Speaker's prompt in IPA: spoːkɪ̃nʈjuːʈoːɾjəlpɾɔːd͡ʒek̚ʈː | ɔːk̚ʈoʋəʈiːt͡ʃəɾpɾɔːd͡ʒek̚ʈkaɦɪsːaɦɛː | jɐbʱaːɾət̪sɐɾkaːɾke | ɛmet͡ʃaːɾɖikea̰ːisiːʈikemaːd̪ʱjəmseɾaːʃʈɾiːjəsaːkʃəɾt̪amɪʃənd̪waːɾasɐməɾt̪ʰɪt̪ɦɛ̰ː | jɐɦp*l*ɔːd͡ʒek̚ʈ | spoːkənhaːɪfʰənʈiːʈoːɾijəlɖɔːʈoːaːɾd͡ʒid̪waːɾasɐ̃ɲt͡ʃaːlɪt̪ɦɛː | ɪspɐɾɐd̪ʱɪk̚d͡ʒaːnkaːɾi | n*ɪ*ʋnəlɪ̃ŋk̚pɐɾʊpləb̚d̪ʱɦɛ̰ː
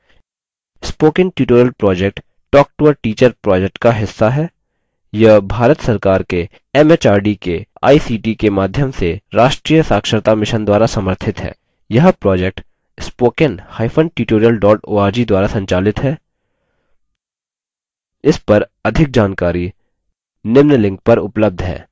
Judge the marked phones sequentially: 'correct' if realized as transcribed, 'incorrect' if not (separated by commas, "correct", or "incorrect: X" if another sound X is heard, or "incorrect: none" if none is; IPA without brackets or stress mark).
incorrect: ɾ, correct